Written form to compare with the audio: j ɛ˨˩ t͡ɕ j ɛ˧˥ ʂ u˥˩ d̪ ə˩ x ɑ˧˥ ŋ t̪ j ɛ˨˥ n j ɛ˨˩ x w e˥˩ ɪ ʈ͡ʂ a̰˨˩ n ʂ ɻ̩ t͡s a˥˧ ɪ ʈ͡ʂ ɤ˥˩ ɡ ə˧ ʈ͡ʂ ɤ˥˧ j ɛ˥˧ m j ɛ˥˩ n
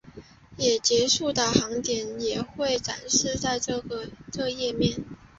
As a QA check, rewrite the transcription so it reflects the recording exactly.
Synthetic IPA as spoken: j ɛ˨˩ t͡ɕ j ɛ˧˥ ʂ u˥˩ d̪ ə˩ x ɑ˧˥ ŋ t̪ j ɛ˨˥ n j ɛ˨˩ x w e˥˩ ɪ ʈ͡ʂ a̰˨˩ n ʂ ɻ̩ t͡s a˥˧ ɪ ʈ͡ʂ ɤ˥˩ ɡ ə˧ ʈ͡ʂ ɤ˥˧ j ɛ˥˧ m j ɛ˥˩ n

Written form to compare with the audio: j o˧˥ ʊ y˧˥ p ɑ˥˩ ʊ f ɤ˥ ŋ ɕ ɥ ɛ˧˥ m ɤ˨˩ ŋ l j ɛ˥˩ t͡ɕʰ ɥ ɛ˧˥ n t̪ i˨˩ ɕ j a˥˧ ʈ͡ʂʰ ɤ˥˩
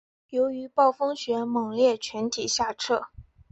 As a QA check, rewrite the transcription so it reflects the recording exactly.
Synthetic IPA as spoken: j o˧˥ ʊ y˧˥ p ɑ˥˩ ʊ f ɤ˥ ŋ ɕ ɥ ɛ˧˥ m ɤ˨˩ ŋ l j ɛ˥˩ t͡ɕʰ ɥ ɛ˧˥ n t̪ʰ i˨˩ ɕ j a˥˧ ʈ͡ʂʰ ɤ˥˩

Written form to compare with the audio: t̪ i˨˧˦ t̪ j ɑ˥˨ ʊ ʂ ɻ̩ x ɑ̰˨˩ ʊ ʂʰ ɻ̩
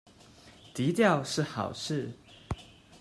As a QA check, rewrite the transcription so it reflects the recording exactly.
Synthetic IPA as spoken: t̪ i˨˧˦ t̪ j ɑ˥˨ ʊ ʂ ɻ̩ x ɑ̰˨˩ ʊ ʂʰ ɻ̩

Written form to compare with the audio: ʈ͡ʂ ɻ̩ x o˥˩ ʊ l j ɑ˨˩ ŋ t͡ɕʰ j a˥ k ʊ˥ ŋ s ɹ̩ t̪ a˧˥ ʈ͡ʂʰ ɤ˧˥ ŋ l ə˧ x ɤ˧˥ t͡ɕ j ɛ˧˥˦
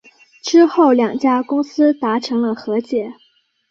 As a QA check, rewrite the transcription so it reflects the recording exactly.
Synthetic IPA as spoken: ʈ͡ʂ ɻ̩ x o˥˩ ʊ l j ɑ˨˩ ŋ t͡ɕ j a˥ k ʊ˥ ŋ s ɹ̩ t̪ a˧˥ ʈ͡ʂʰ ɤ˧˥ ŋ l ə˧ x ɤ˧˥ t͡ɕ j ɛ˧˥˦

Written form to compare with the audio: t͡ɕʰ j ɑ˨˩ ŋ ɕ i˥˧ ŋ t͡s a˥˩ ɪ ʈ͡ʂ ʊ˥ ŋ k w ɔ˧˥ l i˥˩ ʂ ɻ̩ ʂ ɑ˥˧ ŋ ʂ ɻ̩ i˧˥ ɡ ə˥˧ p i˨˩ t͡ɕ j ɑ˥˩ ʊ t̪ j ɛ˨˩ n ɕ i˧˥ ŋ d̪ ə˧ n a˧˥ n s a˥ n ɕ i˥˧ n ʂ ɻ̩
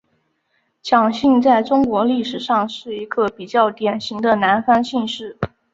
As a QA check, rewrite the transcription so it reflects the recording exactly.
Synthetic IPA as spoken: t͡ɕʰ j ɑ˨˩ ŋ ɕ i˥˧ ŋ t͡s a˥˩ ɪ ʈ͡ʂ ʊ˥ ŋ k w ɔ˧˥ l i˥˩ ʂ ɻ̩ ʂ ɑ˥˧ ŋ ʂ ɻ̩ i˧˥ ɡ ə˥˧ p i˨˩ t͡ɕ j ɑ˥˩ ʊ t̪ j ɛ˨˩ n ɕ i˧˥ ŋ d̪ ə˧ n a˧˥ n f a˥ n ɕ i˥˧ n ʂ ɻ̩

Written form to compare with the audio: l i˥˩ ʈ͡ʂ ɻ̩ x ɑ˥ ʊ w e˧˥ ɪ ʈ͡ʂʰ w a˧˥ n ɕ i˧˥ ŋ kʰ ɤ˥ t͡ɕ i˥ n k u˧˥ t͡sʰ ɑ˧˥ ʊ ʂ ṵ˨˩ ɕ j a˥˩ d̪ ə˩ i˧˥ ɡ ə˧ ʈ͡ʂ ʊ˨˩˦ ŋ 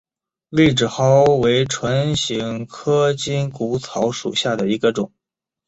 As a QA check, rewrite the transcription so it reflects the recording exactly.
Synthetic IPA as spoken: l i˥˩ ʈ͡ʂ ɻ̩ x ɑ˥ ʊ w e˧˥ ɪ ʈ͡ʂʰ w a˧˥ n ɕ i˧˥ ŋ kʰ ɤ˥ t͡ɕ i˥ n k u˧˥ t͡sʰ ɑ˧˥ ʊ ʂ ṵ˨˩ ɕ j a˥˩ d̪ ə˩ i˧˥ ɡ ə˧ ʈ͡ʂ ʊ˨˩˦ ŋ

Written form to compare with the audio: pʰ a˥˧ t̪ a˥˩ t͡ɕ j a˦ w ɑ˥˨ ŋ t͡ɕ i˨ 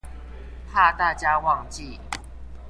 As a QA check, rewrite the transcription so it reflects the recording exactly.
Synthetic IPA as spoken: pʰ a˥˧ t̪ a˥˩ t͡ɕ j a˦ w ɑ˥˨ ŋ t͡ɕ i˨

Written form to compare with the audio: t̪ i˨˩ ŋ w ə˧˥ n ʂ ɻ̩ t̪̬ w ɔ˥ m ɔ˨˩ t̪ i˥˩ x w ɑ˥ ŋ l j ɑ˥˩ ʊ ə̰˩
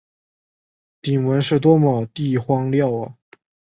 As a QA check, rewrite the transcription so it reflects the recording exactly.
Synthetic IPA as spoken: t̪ i˨˩ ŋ w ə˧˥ n ʂ ɻ̩ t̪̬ w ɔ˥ m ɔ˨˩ t̪ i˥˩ x w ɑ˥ ŋ l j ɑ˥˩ ʊ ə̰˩

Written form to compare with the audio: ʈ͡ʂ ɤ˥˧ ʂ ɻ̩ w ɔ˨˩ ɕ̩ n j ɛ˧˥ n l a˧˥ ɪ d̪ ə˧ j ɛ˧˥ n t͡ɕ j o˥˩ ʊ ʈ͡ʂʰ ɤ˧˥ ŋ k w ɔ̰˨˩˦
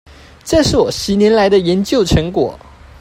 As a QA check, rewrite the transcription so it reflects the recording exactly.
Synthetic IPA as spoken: ʈ͡ʂ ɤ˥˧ ʂ ɻ̩ w ɔ˨˩ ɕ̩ n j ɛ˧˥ n l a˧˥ ɪ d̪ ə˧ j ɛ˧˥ n t͡ɕ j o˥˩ ʊ ʈ͡ʂʰ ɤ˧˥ ŋ k w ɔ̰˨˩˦

